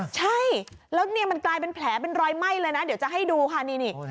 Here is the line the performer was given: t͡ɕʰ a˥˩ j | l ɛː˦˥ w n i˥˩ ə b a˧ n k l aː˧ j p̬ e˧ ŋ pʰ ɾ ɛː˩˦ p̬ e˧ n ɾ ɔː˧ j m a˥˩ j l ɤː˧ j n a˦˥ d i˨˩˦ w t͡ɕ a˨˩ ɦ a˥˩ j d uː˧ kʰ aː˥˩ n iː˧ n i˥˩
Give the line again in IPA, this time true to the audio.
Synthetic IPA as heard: t͡ɕʰ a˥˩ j | l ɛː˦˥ w n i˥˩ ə m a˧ n k l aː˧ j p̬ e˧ n pʰ l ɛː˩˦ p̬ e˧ n ɾ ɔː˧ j m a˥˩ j l ɤː˧ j n a˦˥ d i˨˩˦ w t͡ɕ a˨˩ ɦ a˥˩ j d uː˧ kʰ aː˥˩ n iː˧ n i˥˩